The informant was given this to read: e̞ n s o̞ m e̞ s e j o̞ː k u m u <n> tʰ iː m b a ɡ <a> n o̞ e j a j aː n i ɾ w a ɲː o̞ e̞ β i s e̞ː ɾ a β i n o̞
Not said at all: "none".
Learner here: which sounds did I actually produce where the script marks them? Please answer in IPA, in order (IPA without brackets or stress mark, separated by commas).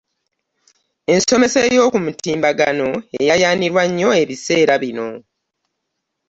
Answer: none, a